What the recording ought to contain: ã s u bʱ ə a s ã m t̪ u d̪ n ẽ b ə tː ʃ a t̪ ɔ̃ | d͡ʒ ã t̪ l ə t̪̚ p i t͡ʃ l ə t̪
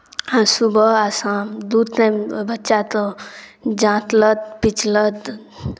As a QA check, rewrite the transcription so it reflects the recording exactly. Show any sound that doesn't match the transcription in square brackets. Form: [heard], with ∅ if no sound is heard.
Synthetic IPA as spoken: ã s u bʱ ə a s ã m [d̪] u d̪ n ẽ b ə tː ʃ a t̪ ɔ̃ | d͡ʒ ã t̪ l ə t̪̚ p i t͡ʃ l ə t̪